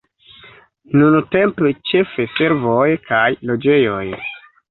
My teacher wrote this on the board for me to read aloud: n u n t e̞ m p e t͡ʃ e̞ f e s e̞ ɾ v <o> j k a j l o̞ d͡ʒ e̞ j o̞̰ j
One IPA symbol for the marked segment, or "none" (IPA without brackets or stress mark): o